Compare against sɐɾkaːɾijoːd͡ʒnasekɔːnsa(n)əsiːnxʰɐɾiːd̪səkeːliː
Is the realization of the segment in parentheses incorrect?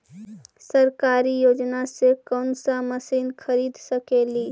yes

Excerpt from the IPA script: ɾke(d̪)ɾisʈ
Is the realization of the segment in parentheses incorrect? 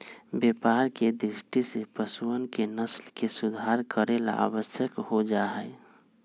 no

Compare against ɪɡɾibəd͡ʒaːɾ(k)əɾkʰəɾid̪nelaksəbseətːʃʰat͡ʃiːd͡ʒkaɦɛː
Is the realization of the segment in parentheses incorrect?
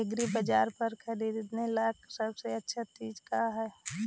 yes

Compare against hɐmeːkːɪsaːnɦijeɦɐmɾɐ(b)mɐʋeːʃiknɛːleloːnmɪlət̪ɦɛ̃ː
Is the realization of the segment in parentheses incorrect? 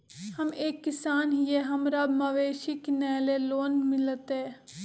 no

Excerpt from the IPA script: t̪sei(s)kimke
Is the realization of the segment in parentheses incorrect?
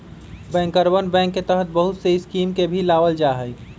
no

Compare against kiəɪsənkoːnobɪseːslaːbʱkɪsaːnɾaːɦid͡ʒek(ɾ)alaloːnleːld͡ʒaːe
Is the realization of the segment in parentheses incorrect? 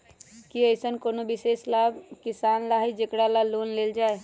yes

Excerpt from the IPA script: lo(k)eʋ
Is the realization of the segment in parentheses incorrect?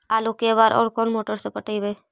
no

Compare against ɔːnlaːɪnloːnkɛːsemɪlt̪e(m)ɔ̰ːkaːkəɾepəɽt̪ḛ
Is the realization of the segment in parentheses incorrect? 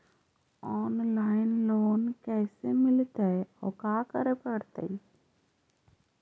yes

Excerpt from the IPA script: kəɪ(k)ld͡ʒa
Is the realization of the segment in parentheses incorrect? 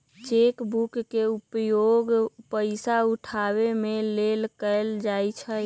yes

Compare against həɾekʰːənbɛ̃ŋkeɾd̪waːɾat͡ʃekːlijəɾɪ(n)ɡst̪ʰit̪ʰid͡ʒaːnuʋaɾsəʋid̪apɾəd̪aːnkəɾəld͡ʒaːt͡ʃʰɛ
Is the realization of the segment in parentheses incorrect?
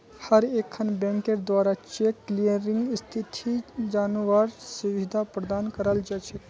yes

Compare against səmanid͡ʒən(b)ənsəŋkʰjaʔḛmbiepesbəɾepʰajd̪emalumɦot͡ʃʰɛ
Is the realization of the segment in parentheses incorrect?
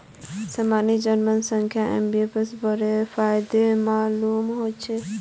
yes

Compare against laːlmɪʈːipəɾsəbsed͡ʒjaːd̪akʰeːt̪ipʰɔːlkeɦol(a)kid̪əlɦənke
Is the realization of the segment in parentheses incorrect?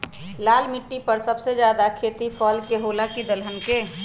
no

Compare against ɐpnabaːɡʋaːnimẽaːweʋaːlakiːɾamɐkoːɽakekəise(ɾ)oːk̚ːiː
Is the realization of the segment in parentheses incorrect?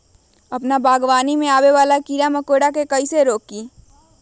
no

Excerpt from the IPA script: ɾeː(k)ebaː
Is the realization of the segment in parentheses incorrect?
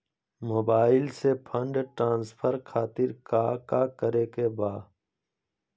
no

